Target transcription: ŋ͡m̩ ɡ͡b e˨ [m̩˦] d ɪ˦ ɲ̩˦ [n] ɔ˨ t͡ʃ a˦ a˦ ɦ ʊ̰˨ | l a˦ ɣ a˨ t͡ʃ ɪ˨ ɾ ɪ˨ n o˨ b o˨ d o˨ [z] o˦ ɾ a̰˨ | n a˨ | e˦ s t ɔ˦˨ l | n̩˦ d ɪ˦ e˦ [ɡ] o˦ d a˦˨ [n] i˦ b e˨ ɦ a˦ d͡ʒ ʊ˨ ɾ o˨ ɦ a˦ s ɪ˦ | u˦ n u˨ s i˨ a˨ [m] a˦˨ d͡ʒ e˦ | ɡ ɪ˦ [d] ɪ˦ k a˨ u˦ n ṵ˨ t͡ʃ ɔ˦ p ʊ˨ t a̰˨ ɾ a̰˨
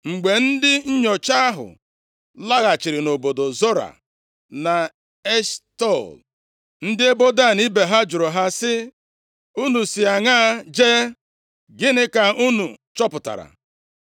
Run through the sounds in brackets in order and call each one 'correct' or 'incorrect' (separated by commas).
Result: incorrect, incorrect, correct, incorrect, correct, incorrect, incorrect